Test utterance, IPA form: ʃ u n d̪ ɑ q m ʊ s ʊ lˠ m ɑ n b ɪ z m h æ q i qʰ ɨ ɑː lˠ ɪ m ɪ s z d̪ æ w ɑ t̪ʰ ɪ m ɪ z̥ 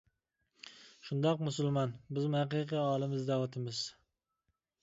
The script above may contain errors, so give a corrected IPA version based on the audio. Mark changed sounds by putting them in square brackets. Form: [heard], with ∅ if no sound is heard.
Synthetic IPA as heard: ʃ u n d̪ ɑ q m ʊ s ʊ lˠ m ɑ n b ɪ z m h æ q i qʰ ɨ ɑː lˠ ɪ m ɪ [∅] z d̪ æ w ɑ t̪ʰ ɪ m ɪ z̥